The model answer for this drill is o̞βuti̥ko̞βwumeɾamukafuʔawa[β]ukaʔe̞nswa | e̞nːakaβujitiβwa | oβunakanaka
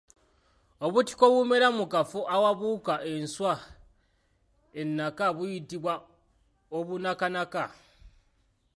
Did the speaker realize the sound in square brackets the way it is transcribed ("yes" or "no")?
yes